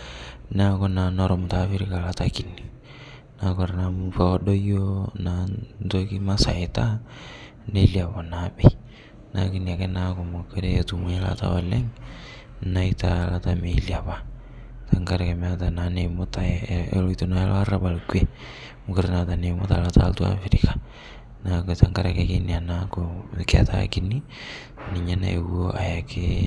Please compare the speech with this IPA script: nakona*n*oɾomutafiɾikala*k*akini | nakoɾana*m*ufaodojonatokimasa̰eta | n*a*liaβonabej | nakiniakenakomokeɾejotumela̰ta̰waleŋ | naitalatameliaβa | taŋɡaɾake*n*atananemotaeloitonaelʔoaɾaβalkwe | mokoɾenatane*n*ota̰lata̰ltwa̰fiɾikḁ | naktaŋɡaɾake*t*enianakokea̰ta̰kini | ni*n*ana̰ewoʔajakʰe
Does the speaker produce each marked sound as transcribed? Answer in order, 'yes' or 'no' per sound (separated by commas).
yes, no, yes, no, no, no, no, no